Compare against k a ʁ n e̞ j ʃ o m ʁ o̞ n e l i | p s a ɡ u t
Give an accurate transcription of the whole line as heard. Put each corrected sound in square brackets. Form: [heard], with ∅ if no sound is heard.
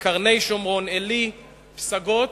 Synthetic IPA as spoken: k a ʁ n e̞ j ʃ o m ʁ o̞ n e l i | p s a ɡ [o] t